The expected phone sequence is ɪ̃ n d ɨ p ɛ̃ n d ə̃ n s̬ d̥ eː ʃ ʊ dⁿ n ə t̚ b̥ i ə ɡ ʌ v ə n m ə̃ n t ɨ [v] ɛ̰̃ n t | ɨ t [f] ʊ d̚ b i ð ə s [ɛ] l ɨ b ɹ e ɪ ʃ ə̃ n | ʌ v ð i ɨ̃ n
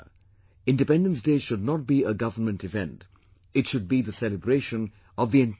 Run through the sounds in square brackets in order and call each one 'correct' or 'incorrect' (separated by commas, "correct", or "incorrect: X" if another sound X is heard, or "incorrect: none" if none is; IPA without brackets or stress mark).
correct, incorrect: ʃ, correct